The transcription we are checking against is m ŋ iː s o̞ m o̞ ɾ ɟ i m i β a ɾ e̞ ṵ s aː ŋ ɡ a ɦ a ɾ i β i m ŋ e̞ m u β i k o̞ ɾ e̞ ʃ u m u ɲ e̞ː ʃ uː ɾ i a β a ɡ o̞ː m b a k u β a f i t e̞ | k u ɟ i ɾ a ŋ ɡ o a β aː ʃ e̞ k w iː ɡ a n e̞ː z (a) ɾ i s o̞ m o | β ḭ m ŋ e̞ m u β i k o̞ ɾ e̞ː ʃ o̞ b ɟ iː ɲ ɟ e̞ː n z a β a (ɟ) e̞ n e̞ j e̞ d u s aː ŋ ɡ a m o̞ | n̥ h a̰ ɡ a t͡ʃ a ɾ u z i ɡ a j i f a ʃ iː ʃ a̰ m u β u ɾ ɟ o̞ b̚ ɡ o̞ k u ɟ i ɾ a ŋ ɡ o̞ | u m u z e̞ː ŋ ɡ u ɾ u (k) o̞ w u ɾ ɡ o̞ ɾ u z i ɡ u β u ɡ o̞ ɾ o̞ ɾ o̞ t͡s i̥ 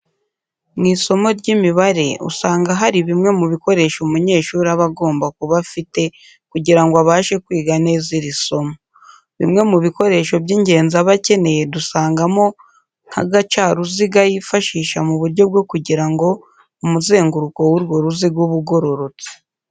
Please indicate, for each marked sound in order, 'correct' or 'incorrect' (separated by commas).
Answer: incorrect, incorrect, correct